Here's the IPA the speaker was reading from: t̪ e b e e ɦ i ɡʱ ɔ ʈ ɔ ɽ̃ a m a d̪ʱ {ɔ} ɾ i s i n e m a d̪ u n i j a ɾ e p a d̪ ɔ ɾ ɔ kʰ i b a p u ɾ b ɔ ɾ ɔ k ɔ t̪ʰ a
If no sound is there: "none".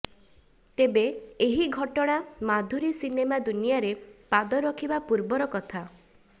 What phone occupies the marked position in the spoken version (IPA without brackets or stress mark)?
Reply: u